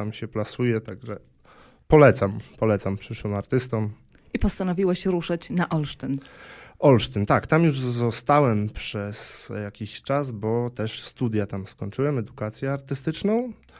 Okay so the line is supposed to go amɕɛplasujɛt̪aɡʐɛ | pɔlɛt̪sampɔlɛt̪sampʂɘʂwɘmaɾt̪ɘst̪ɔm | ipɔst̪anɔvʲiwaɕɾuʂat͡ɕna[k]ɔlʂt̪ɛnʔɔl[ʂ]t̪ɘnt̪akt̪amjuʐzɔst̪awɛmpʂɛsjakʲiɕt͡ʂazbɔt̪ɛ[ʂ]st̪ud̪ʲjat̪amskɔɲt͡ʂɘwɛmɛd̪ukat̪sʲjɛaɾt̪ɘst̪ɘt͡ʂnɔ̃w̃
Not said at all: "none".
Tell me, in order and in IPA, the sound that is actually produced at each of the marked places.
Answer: ʔ, ʂ, ʂ

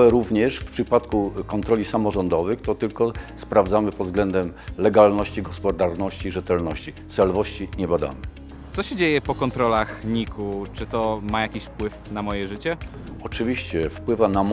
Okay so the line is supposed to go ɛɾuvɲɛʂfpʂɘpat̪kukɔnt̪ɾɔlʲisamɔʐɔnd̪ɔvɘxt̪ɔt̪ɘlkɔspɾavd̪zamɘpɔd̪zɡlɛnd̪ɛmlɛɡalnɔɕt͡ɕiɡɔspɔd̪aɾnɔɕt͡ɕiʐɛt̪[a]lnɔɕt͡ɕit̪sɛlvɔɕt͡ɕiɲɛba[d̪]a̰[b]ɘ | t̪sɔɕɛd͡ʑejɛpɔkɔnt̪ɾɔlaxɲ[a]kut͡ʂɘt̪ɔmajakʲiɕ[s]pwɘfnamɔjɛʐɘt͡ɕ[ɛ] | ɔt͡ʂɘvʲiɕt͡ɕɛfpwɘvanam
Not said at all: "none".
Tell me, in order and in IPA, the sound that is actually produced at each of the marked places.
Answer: ɛ, d̪, m, i, f, ɛ

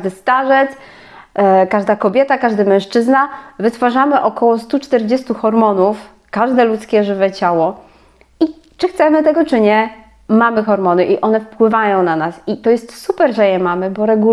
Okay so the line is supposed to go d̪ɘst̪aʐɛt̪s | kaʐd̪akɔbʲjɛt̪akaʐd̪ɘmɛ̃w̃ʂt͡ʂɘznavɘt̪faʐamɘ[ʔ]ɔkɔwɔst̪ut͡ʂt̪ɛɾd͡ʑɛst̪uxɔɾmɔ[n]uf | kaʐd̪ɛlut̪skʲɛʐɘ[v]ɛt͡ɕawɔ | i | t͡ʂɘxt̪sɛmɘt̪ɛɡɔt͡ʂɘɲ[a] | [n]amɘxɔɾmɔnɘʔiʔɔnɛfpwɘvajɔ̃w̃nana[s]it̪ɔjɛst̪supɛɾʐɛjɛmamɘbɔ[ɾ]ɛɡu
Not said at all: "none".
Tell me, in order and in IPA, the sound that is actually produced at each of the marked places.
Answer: ʔ, n, v, ɛ, m, s, ɾ

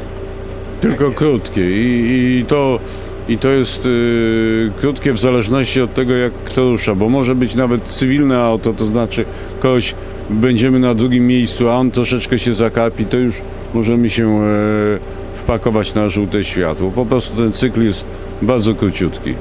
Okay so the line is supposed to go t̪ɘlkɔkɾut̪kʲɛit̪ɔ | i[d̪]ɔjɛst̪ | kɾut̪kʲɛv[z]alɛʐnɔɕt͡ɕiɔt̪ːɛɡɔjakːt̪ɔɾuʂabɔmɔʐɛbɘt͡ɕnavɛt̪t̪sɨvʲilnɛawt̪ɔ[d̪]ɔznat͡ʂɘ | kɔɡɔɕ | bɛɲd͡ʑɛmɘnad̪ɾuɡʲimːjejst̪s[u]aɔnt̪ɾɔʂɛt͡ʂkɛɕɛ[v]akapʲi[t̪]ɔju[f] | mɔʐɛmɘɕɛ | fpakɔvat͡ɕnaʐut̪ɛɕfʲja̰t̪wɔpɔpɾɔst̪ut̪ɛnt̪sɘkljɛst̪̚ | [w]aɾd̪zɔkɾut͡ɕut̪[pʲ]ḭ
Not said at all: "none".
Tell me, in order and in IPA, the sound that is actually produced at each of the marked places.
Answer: t̪, z, t̪, u, z, t̪, ʂ, b, kʲ

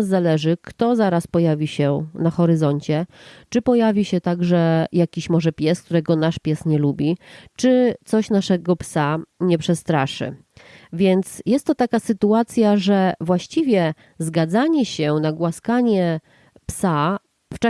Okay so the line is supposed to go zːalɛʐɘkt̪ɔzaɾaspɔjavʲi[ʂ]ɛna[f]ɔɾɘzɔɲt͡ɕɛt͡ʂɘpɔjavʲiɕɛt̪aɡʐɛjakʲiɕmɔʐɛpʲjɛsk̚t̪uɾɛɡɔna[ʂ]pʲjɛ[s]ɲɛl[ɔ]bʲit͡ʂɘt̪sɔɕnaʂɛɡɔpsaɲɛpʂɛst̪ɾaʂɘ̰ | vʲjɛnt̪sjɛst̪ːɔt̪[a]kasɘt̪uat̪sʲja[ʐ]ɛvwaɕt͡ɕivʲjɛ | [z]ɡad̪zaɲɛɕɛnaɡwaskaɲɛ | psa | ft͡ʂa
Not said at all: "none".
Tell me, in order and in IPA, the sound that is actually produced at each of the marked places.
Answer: ɕ, x, ʂ, s, u, a, ʐ, z

